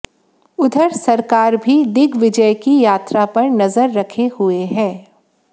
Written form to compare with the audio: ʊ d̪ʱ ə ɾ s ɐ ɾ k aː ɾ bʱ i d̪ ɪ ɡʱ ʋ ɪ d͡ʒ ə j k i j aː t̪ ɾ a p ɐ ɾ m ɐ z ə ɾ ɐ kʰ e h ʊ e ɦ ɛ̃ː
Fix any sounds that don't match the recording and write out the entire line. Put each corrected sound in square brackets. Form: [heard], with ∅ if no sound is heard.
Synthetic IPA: ʊ d̪ʱ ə ɾ s ɐ ɾ k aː ɾ bʱ i d̪ ɪ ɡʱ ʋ ɪ d͡ʒ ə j k i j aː t̪ ɾ a p ɐ ɾ [n] ɐ z ə [ɾː] ɐ kʰ e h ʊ e ɦ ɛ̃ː